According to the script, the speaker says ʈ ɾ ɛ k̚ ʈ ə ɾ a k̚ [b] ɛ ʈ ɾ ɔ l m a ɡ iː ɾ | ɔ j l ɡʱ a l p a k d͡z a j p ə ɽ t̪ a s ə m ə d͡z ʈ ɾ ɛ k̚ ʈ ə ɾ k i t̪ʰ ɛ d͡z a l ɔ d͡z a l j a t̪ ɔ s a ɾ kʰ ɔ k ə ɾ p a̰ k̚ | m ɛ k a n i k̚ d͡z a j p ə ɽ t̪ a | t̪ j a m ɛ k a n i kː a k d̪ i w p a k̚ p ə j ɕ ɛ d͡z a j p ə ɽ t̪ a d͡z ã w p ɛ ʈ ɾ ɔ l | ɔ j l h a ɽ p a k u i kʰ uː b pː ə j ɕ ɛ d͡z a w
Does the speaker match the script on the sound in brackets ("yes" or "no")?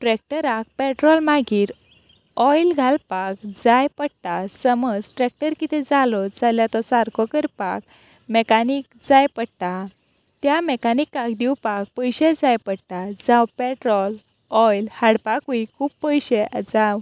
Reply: no